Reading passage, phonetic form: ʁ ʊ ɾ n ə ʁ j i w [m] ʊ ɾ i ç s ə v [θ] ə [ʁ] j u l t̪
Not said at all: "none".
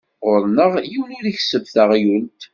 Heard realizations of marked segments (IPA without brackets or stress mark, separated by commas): n, θ, ʁ